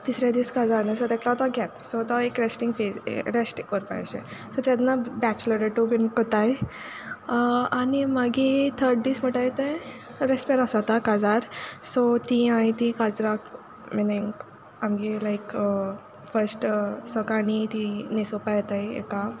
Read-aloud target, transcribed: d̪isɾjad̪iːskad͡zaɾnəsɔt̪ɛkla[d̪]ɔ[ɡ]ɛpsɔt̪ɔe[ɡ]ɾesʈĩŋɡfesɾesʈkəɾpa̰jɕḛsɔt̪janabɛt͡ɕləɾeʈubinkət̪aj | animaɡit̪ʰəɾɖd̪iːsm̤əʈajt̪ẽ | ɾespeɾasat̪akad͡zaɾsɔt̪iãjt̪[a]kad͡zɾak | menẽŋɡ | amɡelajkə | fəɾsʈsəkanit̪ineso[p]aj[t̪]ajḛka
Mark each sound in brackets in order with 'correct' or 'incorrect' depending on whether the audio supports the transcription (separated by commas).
incorrect, correct, incorrect, incorrect, correct, correct